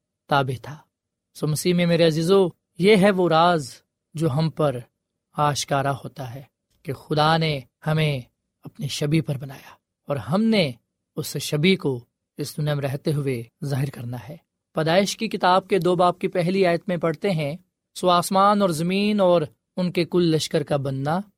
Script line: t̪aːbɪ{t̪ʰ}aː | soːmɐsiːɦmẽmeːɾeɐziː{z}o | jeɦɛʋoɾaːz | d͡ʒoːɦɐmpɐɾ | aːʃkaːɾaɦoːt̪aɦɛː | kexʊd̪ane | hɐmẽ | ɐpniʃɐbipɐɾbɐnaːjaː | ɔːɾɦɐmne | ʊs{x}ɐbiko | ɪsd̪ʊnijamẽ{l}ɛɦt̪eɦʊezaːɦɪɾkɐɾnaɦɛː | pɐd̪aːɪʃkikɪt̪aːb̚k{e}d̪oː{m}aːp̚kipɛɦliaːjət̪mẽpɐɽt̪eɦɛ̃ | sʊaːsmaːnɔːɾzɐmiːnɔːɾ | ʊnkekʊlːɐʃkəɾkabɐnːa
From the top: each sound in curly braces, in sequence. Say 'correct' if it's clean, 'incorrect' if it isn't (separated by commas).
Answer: correct, correct, incorrect, incorrect, correct, incorrect